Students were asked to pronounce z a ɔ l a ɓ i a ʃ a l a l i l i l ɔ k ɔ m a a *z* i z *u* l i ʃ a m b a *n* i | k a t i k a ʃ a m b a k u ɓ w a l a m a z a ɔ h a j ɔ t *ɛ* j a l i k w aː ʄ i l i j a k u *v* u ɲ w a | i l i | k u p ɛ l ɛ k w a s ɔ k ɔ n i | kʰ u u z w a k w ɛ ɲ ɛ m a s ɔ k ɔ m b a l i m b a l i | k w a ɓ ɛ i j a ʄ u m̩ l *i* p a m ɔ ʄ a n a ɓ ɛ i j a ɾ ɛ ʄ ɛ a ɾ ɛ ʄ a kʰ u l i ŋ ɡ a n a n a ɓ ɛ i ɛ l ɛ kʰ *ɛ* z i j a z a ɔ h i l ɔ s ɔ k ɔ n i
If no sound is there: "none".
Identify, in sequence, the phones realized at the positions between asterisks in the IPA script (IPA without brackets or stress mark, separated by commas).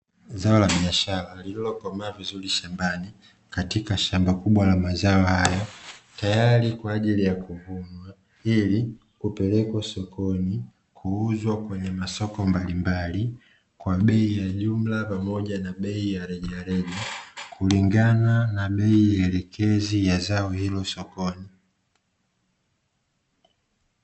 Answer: v, u, n, a, v, a, ɛ